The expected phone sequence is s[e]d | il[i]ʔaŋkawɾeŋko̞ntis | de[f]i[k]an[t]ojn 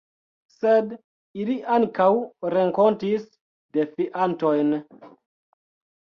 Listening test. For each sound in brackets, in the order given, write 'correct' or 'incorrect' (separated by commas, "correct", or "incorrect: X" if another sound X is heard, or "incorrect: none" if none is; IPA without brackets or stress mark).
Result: correct, correct, correct, incorrect: ʔ, correct